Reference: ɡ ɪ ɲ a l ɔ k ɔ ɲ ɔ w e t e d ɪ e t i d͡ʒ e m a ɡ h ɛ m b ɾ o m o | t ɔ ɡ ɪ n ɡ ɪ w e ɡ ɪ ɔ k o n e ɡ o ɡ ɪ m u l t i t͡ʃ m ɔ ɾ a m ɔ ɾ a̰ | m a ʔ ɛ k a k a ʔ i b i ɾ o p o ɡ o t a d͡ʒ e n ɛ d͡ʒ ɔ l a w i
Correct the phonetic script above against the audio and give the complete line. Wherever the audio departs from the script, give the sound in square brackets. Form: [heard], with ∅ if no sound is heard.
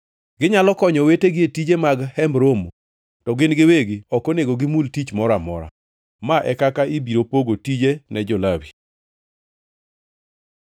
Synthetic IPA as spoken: ɡ ɪ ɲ a l ɔ k ɔ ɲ ɔ w e t e [ɡ] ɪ e t i d͡ʒ e m a ɡ h ɛ m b ɾ o m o | t ɔ ɡ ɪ n ɡ ɪ w e ɡ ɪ ɔ k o n e ɡ o ɡ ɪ m u l t i t͡ʃ m ɔ ɾ a m ɔ ɾ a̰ | m a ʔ ɛ k a k a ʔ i b i ɾ o p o ɡ o t [i] d͡ʒ e n ɛ d͡ʒ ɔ l a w i